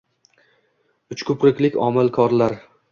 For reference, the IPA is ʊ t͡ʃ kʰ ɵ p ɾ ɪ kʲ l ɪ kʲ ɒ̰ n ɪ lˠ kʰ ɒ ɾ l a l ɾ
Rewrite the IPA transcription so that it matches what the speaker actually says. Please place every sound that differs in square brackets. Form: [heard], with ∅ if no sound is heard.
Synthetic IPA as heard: ʊ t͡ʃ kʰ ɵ p ɾ ɪ kʲ l ɪ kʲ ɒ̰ [m] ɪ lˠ kʰ ɒ ɾ l a [∅] ɾ